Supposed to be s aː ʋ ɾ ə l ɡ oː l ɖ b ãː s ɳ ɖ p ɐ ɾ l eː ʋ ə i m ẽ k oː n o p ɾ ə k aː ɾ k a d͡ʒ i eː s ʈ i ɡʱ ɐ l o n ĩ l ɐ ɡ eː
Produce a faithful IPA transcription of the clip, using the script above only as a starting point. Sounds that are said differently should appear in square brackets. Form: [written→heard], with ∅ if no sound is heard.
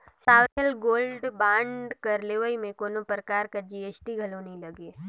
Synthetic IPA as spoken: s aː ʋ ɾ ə l ɡ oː l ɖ b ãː [s→∅] ɳ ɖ [p→k] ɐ ɾ l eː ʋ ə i m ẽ k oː n o p ɾ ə k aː ɾ k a d͡ʒ i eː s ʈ i ɡʱ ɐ l o n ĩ l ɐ ɡ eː